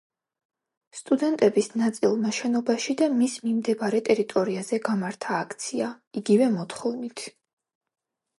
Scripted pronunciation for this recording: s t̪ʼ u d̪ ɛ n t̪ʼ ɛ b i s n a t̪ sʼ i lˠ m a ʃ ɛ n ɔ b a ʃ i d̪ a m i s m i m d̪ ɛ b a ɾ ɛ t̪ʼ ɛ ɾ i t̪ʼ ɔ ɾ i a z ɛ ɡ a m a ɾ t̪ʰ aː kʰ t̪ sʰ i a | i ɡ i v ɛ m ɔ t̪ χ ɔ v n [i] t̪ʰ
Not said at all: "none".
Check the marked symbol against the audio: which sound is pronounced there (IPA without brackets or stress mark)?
i